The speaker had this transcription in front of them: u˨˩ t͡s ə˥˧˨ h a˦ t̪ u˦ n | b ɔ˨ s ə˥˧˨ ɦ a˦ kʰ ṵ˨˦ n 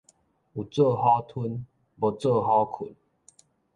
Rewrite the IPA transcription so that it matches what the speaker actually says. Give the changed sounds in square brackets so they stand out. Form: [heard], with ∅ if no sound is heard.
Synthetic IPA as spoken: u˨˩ t͡s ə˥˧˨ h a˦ [t̪ʰ] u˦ n | b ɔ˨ [t͡s] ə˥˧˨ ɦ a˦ kʰ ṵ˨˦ n